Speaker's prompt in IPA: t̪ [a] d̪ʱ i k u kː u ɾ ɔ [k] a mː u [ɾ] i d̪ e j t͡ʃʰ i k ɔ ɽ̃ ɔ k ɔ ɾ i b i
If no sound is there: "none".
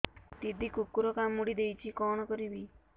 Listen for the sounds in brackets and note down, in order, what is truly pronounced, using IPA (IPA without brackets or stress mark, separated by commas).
i, k, ɽ